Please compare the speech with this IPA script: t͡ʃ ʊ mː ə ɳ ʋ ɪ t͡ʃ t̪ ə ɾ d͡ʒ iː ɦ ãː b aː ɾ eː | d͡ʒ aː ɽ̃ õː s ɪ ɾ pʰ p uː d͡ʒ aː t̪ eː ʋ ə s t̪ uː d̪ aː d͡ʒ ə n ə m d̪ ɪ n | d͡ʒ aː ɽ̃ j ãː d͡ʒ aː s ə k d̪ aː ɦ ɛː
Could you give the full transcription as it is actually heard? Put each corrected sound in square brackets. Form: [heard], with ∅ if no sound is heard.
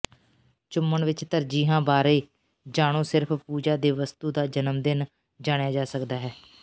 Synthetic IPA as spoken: t͡ʃ ʊ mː ə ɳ ʋ ɪ t͡ʃ t̪ ə ɾ d͡ʒ iː ɦ ãː b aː ɾ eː | d͡ʒ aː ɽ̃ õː s ɪ ɾ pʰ p uː d͡ʒ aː [d̪] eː ʋ ə s t̪ uː d̪ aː d͡ʒ ə n ə m d̪ ɪ n | d͡ʒ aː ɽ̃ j [aː] d͡ʒ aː s ə k d̪ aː ɦ ɛː